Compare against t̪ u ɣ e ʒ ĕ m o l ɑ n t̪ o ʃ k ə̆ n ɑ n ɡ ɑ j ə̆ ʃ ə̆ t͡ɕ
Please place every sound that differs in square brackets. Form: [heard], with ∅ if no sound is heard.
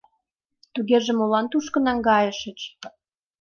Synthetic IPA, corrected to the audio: t̪ u ɣ e ʒ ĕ m o l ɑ n t̪ [u] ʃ k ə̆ n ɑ [ŋ] ɡ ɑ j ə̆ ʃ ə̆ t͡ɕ